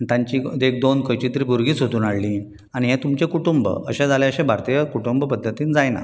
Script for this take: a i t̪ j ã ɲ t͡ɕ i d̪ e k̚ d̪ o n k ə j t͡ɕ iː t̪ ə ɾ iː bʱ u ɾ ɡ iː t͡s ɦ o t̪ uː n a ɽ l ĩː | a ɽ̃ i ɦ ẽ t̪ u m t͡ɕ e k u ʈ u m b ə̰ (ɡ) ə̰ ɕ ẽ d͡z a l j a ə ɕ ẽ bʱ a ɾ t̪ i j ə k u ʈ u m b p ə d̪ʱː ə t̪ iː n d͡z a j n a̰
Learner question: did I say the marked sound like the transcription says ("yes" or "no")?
no